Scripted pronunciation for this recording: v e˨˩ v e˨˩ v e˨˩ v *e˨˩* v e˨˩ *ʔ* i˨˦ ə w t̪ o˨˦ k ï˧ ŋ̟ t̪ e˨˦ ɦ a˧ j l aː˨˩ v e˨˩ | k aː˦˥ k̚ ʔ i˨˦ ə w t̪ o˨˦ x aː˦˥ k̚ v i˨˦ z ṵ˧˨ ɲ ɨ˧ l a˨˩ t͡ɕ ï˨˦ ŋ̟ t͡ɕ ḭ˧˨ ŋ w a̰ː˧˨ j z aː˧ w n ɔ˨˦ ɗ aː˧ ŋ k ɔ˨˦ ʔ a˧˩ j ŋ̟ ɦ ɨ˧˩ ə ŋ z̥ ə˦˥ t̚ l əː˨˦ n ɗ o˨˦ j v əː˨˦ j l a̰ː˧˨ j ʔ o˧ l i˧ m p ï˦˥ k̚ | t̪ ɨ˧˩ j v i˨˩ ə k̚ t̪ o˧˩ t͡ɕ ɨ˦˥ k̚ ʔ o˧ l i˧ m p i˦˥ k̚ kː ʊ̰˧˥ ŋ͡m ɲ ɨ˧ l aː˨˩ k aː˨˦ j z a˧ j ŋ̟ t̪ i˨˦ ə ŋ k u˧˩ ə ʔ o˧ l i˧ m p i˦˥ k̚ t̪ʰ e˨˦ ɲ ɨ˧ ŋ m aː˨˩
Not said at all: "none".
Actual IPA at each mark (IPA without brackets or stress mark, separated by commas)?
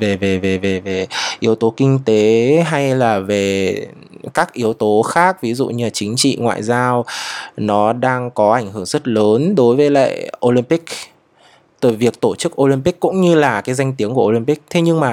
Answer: e˨˩, ʔ